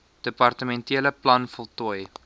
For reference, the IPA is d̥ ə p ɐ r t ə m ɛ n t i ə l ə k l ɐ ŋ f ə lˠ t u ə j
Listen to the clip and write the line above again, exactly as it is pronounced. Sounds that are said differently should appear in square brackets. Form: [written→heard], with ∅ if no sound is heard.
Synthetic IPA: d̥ ə p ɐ r t ə m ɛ n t i ə l ə [k→p] l ɐ [ŋ→n] f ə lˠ t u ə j